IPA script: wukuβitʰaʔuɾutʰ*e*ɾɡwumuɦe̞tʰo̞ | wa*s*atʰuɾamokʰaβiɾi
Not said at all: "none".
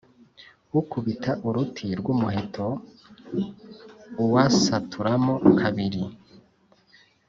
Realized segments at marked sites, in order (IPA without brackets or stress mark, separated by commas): i, s